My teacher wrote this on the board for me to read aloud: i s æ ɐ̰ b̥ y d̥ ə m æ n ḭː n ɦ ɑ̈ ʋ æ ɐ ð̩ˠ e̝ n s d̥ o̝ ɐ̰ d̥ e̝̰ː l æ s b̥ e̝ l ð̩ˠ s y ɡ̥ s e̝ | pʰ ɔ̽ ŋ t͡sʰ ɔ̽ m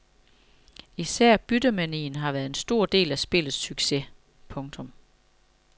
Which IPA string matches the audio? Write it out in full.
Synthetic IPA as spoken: i s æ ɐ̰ b̥ y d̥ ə m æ n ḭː n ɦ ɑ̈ ʋ æ ɐ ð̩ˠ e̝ n s d̥ o̝ ɐ̰ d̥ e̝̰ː l æ s b̥ e̝ l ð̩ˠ s y ɡ̥ s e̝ | pʰ ɔ̽ ŋ t͡sʰ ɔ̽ m